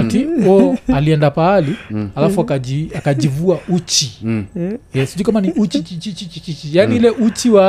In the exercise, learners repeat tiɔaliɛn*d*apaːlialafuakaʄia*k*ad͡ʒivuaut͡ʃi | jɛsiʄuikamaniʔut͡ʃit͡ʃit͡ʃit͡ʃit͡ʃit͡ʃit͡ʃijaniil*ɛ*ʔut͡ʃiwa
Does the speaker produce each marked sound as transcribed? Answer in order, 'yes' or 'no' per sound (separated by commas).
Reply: yes, yes, yes